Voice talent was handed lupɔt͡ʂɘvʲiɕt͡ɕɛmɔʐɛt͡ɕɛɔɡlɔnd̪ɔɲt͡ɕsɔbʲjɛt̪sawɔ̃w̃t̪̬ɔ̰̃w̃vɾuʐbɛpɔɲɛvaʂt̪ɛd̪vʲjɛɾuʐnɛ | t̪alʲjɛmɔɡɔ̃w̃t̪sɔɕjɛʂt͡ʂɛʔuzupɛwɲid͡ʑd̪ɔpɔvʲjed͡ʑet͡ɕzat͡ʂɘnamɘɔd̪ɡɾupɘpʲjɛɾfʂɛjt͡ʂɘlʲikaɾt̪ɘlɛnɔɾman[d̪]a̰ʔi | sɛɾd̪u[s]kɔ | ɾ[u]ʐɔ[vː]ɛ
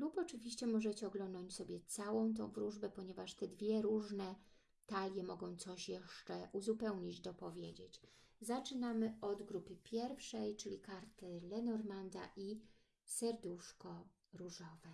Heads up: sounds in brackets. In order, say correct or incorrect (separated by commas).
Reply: correct, incorrect, correct, incorrect